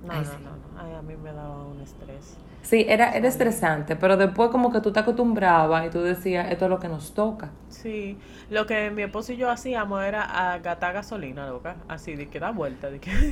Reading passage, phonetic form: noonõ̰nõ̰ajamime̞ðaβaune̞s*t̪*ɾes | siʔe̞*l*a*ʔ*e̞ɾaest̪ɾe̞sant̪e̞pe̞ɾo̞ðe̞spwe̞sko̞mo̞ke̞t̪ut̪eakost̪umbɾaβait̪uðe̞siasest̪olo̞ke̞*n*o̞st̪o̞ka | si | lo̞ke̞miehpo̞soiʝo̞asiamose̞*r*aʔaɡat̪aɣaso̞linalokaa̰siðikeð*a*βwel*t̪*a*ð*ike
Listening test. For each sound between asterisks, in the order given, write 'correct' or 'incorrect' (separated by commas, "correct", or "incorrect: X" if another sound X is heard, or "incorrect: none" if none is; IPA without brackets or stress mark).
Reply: correct, incorrect: ɾ, correct, correct, incorrect: ɾ, correct, correct, correct